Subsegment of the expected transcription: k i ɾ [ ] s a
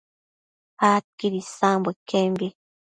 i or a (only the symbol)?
i